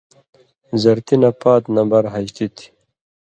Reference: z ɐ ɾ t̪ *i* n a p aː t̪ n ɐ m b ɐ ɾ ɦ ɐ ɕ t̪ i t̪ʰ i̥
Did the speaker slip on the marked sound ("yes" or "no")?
no